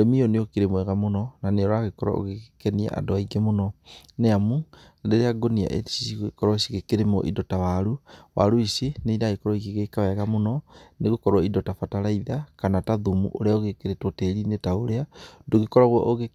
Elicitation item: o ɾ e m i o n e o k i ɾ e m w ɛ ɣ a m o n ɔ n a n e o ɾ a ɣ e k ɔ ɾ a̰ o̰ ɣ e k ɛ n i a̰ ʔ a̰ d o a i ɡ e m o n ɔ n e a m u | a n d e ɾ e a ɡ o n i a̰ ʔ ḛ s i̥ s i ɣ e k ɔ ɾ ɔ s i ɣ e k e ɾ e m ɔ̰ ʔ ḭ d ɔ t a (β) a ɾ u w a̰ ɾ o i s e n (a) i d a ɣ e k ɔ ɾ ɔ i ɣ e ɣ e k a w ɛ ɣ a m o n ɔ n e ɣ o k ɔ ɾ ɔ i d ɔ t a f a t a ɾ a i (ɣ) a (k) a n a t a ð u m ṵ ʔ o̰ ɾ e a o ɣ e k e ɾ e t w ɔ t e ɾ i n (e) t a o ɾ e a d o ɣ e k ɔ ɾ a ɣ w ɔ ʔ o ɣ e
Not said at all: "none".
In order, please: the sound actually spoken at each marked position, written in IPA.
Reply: w, e, ð, k, e

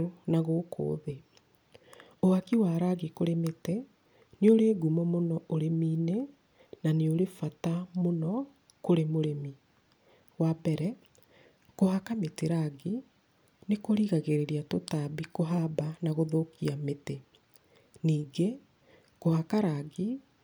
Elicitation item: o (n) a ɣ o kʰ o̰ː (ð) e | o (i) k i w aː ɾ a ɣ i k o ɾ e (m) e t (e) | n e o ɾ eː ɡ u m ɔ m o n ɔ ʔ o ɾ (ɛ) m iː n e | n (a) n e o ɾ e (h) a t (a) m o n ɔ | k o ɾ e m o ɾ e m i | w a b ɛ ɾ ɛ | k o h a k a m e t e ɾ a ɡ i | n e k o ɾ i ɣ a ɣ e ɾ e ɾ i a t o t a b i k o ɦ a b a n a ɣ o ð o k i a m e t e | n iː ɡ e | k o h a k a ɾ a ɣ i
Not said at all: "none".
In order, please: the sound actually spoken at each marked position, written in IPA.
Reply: n, ð, a, m, e, e, a, f, a

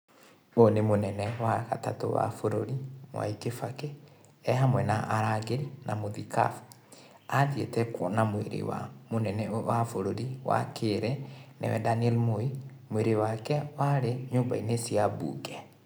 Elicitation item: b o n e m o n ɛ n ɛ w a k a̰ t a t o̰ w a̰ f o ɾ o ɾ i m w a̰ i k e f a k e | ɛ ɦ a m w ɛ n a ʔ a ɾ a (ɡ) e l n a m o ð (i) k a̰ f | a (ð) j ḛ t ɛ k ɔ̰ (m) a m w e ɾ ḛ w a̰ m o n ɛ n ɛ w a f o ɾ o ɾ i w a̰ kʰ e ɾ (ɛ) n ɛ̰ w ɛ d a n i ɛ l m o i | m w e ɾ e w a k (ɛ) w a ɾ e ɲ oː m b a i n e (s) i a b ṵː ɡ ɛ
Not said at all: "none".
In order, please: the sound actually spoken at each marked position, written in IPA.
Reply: ɡ, i, ð, n, ɛ, ɛ, s

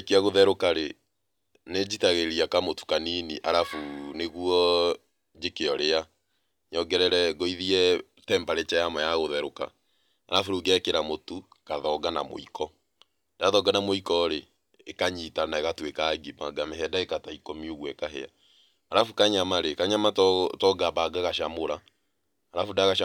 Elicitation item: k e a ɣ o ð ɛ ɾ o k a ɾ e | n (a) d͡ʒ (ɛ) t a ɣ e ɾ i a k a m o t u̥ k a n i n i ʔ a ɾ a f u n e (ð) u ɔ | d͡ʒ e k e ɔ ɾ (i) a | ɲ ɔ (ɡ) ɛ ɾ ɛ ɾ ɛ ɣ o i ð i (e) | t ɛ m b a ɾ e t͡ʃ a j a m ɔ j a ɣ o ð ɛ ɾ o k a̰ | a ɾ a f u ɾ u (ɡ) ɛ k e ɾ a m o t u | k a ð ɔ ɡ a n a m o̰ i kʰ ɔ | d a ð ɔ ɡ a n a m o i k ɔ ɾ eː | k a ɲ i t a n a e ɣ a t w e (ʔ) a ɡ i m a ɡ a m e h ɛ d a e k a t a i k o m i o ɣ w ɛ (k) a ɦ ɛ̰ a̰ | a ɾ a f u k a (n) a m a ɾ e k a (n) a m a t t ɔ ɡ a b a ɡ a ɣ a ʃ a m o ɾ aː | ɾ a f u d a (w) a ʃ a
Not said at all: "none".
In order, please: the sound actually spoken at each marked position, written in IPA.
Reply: e, i, ɣ, e, ɡ, ɛ, ɡ, k, k, ɲ, ɲ, ɣ

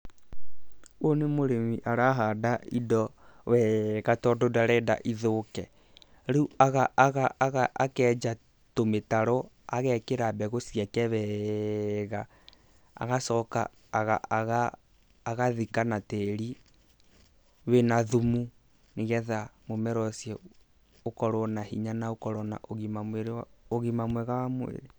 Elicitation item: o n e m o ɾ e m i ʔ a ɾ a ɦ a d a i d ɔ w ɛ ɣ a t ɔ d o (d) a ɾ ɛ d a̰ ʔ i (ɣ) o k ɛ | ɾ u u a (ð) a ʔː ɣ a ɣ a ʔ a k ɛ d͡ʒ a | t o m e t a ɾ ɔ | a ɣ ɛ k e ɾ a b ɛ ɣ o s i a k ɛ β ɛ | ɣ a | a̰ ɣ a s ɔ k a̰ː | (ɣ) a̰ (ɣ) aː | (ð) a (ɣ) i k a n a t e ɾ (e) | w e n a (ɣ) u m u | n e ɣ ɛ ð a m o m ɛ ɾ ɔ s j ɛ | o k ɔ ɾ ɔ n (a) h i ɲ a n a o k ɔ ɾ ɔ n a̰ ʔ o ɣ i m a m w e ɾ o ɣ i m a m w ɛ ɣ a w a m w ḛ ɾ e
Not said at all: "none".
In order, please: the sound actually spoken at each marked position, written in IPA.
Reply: d, ð, ɣ, ɣ, ɣ, ɣ, ð, i, ð, a

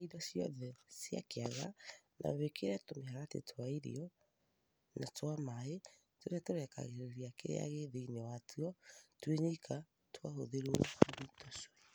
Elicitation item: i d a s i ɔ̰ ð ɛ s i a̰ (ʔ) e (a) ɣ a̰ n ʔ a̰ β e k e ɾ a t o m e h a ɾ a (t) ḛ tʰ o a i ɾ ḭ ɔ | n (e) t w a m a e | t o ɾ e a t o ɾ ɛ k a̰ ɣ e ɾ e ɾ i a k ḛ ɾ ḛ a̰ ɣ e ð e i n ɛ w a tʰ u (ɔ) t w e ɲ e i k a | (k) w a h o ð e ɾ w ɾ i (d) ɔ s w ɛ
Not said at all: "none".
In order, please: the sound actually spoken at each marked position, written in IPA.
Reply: k, a, t, a, ɔ, t, t

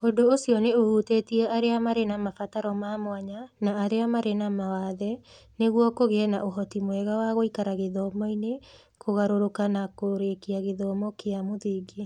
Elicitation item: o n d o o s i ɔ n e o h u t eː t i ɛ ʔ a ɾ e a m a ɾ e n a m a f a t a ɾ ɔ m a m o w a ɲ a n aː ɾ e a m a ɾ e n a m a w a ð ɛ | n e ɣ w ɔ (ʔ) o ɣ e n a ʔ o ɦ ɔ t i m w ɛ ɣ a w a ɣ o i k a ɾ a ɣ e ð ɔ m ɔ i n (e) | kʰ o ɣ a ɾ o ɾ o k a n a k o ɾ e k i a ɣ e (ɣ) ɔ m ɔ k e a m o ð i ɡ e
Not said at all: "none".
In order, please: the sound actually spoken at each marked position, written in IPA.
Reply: k, e, ð

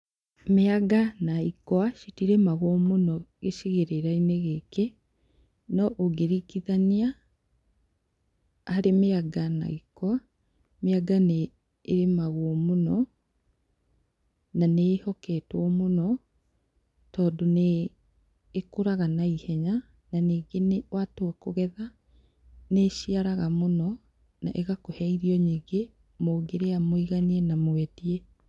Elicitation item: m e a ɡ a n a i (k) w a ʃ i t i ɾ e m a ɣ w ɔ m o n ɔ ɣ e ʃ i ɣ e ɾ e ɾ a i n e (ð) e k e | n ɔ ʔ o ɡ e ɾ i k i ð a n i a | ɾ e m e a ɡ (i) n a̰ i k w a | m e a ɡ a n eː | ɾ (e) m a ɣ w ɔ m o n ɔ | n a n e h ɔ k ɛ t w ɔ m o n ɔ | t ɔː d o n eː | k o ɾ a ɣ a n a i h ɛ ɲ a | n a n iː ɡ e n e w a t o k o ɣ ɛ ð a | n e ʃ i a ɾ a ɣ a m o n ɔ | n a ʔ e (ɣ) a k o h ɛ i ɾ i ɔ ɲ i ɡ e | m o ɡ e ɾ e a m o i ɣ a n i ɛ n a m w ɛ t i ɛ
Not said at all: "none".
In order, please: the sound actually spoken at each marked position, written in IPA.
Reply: k, ɣ, a, e, ɣ

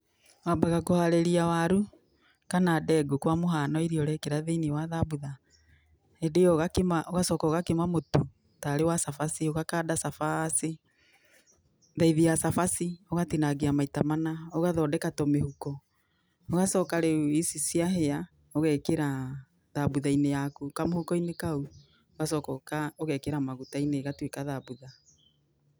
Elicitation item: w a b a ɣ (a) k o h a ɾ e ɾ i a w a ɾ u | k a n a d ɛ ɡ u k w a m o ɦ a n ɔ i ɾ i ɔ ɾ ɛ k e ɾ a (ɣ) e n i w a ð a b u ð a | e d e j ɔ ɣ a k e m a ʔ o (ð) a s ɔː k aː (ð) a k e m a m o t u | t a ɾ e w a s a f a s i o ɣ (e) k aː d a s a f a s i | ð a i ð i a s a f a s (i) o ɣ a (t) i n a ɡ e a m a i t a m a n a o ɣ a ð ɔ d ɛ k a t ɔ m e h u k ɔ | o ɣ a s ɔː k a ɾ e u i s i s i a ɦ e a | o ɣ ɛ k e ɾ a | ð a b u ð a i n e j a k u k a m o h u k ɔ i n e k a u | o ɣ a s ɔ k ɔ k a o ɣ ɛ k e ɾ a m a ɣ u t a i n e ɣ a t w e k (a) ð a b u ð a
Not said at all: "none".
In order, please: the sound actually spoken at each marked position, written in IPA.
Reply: a, ð, ɣ, ɣ, a, i, t, a

